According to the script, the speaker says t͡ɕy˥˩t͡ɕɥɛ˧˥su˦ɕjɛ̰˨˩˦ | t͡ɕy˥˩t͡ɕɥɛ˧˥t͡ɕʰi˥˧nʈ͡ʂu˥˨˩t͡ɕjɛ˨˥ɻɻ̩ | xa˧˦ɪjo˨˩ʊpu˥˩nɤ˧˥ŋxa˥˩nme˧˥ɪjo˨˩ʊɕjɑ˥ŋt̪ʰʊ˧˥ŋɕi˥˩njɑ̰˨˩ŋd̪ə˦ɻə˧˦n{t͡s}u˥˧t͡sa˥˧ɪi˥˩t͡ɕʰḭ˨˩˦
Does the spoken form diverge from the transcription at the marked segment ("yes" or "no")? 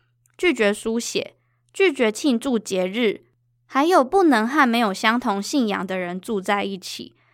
no